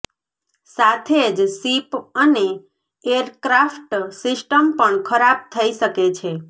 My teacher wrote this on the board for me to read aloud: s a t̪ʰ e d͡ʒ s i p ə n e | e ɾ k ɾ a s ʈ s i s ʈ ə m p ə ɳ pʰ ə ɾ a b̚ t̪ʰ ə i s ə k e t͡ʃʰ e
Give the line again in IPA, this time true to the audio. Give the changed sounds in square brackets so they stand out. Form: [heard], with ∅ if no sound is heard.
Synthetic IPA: s a t̪ʰ e d͡ʒ s i p ə n e | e ɾ k ɾ a [f] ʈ s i s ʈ ə m p ə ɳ [kʰ] ə ɾ a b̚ t̪ʰ ə i [ʃ] ə k e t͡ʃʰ e